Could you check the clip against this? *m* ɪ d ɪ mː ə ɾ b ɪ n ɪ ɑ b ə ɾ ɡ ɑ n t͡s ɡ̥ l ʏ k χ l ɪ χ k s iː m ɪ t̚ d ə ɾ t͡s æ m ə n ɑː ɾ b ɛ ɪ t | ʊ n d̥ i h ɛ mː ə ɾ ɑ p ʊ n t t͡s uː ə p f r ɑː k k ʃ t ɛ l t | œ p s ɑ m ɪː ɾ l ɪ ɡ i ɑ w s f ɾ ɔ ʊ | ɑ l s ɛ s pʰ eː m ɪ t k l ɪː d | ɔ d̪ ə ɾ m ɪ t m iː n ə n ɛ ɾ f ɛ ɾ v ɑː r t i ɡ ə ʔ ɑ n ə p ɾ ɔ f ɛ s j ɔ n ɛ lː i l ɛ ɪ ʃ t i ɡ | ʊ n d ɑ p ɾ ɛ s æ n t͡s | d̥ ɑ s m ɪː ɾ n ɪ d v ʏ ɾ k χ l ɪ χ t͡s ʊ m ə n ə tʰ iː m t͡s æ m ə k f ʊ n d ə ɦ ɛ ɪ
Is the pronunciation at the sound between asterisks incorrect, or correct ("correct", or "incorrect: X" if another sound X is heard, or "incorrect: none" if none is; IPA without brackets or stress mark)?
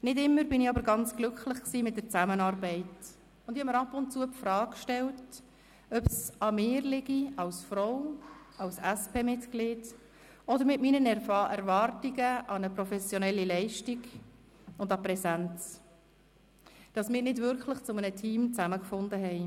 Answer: incorrect: n